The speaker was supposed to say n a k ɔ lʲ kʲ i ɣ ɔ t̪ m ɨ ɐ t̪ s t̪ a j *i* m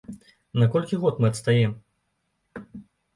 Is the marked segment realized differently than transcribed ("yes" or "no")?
yes